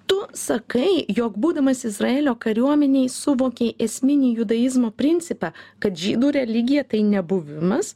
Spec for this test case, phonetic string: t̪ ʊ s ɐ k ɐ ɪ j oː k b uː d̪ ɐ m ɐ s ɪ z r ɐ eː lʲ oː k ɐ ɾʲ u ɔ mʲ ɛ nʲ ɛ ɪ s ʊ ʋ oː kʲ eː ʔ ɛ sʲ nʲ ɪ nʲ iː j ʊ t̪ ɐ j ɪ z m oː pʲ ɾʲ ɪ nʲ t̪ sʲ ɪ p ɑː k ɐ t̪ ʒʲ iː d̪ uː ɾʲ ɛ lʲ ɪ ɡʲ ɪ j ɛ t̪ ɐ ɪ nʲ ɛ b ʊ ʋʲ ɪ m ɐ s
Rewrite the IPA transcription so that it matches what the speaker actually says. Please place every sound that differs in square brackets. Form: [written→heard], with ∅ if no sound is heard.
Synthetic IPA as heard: t̪ ʊ s ɐ k ɐ ɪ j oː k b uː d̪ ɐ m ɐ s ɪ z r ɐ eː lʲ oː k ɐ ɾʲ u ɔ mʲ ɛ nʲ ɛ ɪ s ʊ ʋ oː kʲ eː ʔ ɛ sʲ [nʲ→mʲ] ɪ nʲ iː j ʊ [t̪→d̪] ɐ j ɪ z m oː pʲ ɾʲ ɪ nʲ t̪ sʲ ɪ p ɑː k ɐ t̪ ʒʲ iː d̪ uː ɾʲ ɛ lʲ ɪ ɡʲ ɪ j ɛ t̪ ɐ ɪ nʲ ɛ b ʊ ʋʲ ɪ m ɐ s